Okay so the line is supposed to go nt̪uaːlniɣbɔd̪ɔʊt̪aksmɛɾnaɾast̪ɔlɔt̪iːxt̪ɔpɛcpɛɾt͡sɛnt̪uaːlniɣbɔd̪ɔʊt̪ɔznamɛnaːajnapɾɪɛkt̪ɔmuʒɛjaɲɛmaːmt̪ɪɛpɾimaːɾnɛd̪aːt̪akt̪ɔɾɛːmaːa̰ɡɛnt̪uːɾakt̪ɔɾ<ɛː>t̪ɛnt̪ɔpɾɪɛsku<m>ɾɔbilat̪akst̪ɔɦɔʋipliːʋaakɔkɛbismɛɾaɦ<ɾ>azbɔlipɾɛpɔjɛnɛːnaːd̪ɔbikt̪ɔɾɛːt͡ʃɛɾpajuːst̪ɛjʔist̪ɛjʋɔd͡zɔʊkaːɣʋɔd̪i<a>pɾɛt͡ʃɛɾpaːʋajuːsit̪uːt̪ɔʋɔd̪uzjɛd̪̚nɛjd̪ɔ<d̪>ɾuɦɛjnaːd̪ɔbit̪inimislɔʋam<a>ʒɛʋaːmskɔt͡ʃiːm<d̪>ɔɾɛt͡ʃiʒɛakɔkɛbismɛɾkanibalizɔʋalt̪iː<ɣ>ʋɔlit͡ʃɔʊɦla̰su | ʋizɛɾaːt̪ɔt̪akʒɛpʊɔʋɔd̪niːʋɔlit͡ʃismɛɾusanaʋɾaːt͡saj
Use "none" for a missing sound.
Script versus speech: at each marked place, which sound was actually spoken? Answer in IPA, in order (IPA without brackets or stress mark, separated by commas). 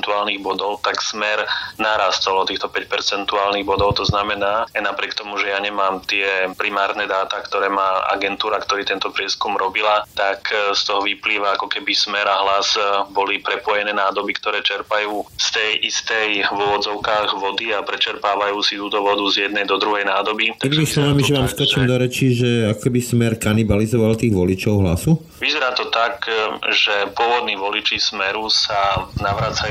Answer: iː, m, l, a, d̪, i, d̪, ɣ